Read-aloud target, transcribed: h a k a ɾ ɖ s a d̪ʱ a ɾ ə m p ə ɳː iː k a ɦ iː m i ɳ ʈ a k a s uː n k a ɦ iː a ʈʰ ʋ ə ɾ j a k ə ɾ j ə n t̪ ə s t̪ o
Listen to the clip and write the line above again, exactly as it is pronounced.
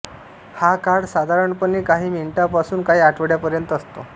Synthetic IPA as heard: h a k a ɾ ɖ s a d̪ʱ a ɾ ə ɳ p ə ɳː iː k a ɦ iː m i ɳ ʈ a p a s uː n k a ɦ iː a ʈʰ ʋ ə ɽ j a p ə ɾ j ə n t̪ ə s t̪ o